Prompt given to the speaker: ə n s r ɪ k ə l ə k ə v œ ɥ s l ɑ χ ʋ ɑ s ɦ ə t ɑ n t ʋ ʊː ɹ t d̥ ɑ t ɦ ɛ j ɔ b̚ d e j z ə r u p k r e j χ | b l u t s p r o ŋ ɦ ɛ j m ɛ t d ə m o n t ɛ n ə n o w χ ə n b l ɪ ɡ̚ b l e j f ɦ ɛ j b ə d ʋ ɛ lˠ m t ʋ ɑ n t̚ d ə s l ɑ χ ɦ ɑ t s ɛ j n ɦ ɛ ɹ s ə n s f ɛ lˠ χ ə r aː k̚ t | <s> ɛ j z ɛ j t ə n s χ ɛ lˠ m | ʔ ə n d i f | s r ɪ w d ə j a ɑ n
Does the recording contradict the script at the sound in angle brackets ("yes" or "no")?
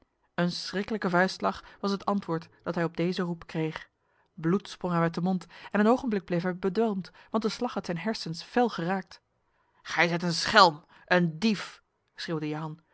yes